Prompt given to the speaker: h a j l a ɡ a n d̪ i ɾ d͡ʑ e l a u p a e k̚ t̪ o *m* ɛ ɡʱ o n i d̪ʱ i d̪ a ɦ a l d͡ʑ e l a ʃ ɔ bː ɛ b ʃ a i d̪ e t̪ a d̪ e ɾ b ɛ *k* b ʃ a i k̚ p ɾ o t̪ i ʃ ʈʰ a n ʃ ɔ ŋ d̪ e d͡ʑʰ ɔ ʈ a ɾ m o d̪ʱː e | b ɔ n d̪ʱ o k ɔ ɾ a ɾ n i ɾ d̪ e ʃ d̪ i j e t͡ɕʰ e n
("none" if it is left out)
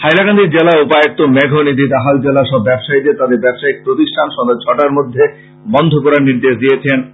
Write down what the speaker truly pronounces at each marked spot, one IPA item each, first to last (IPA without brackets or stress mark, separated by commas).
m, none